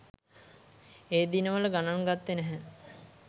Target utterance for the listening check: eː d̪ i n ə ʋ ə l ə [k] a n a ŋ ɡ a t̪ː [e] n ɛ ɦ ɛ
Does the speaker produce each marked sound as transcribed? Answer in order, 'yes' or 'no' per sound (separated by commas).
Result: no, yes